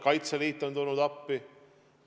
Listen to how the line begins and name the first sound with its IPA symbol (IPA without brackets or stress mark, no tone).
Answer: k